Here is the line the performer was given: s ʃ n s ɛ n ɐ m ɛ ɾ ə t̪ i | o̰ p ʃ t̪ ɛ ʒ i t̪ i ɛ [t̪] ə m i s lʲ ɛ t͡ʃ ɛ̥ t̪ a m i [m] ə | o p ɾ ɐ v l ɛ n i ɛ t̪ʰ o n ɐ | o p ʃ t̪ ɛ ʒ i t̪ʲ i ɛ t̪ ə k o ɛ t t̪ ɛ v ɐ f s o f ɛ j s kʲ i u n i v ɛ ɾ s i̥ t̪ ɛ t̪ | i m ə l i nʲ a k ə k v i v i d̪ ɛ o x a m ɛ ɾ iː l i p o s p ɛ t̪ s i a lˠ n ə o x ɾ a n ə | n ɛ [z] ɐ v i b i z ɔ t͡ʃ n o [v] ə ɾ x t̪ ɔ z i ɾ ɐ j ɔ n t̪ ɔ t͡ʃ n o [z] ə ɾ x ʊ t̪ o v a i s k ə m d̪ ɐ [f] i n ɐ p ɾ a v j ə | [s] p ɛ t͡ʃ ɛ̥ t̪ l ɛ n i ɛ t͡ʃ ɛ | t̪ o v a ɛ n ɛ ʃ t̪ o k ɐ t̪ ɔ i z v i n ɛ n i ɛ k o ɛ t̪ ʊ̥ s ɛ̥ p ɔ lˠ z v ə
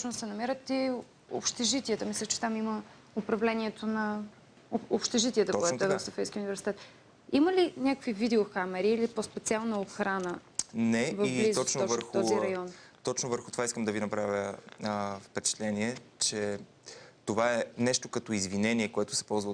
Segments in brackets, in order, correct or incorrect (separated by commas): correct, correct, incorrect, correct, incorrect, incorrect, incorrect